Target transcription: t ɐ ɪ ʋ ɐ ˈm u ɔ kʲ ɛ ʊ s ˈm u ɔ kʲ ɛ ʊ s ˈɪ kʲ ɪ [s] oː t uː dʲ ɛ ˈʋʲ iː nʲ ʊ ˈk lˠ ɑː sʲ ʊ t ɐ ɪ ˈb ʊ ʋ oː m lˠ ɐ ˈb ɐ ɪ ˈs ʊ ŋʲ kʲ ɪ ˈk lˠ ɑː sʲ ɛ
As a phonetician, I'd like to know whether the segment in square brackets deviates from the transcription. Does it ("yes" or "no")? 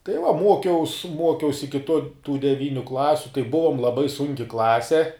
yes